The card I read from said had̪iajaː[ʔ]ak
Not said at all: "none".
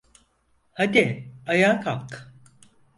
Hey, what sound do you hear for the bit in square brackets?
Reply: k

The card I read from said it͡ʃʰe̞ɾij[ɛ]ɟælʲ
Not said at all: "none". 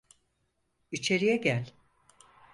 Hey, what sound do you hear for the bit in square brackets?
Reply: ɛ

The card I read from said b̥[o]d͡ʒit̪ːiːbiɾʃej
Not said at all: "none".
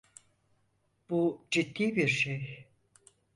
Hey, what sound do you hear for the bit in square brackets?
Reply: u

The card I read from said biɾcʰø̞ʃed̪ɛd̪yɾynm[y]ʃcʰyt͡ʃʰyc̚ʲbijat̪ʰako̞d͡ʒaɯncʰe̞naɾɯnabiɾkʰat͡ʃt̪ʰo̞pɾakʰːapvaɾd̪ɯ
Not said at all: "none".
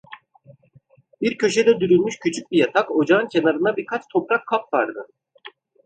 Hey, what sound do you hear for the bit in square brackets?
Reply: y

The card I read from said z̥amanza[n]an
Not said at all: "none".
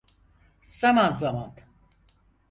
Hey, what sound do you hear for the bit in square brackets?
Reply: m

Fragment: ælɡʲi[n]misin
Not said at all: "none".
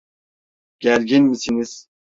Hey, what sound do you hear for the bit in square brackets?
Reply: n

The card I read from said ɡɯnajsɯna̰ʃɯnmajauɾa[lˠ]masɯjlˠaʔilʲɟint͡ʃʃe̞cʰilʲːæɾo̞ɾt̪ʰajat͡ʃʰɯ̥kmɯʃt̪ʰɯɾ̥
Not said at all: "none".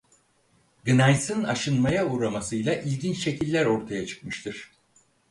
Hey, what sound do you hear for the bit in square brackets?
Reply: none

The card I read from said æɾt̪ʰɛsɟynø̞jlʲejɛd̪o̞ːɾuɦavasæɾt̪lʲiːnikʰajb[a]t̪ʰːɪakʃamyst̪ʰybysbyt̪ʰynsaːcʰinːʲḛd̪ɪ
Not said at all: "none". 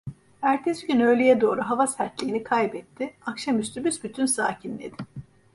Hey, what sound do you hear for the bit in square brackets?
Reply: ɛ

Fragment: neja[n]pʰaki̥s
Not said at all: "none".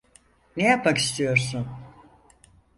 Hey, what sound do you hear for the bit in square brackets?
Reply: none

